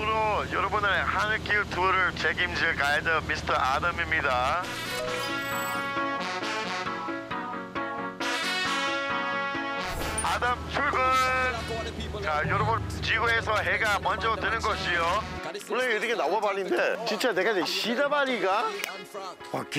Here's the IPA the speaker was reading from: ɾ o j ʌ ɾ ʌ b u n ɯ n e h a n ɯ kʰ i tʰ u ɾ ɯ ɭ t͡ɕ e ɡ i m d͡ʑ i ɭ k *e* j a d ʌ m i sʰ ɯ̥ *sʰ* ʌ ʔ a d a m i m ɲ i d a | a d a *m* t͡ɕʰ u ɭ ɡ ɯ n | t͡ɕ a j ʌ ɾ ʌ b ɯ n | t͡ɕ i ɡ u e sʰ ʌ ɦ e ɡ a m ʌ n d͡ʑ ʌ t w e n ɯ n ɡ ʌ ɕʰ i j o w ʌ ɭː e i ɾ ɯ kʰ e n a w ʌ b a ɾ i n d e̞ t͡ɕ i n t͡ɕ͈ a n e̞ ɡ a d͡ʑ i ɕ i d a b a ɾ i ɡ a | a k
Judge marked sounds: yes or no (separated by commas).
no, no, yes